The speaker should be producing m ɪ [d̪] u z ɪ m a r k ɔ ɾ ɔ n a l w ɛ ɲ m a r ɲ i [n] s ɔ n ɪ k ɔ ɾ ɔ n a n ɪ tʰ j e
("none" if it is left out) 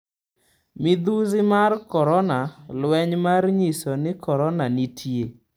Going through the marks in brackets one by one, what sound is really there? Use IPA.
d̪, none

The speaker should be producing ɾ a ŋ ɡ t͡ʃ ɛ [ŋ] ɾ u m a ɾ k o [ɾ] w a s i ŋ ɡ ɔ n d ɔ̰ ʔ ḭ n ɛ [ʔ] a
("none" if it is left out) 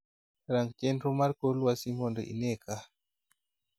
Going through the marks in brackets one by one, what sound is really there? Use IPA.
n, l, k

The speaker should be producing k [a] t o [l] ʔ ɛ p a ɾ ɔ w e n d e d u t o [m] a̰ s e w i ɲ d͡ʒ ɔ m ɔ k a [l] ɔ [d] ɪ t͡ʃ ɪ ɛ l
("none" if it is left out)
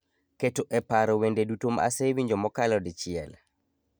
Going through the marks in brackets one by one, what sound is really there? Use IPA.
e, none, m, l, d

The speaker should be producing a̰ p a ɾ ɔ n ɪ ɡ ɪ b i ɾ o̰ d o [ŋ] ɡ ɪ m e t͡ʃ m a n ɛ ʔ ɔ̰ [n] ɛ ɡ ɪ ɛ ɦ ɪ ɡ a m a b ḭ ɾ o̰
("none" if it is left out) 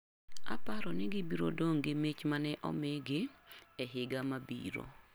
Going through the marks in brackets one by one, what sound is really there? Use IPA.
ŋ, m

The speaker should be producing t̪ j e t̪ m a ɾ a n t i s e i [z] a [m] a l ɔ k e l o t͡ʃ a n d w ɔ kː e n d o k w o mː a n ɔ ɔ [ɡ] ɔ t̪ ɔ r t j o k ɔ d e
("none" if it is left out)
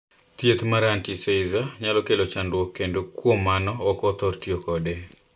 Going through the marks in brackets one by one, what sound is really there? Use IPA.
z, ɲ, k

